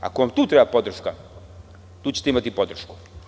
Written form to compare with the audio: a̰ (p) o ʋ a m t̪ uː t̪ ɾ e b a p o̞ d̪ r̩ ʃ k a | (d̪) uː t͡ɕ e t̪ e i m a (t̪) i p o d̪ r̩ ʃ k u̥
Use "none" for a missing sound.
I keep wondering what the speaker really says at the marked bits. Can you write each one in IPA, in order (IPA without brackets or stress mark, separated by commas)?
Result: k, t̪, t̪